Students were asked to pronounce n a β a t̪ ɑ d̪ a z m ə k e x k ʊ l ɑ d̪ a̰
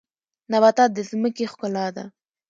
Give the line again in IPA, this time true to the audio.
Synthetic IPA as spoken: n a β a t̪ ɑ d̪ ə z m ə k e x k ʊ l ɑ d̪ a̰